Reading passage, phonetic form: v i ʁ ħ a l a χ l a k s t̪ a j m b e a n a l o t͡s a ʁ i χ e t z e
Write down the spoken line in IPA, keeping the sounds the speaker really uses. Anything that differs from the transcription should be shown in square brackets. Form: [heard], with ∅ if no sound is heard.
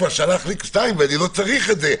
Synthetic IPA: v [a] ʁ [ʃ] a l a χ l [i] k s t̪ a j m [v] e a n [i] l o t͡s a ʁ i χ e t z e